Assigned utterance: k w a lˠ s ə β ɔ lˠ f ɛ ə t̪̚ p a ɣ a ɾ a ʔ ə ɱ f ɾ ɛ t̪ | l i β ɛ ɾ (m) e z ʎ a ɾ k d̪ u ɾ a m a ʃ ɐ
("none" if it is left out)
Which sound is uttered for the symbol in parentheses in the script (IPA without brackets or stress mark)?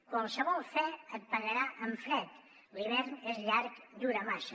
n